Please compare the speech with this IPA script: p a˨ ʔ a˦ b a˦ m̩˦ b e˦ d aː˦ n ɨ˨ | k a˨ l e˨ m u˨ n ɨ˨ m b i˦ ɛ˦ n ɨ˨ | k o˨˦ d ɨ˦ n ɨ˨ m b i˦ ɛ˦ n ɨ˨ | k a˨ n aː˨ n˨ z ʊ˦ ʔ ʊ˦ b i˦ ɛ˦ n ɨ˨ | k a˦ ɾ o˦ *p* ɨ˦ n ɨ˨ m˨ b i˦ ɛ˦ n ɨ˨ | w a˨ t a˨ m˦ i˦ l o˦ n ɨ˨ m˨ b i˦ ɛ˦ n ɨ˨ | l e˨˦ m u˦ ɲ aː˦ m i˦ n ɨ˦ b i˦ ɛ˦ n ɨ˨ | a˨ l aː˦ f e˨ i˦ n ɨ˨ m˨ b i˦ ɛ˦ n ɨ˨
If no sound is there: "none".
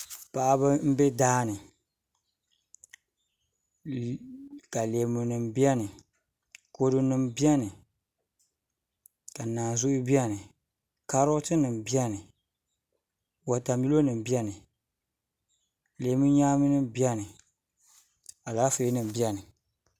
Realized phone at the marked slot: t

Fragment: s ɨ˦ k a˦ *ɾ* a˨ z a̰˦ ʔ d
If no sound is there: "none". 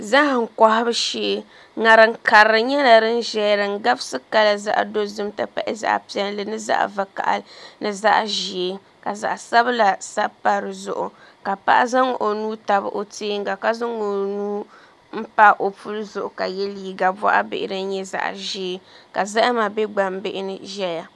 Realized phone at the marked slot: l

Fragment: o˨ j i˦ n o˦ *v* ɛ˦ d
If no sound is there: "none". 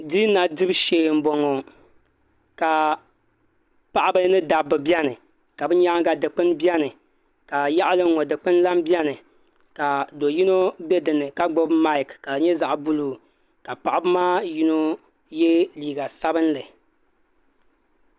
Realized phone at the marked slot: b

